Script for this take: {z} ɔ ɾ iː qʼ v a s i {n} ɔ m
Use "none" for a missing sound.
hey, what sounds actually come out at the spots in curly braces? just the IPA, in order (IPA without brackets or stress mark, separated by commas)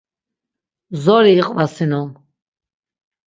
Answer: z, n